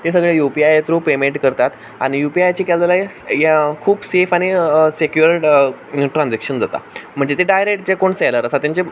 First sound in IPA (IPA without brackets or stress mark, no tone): t̪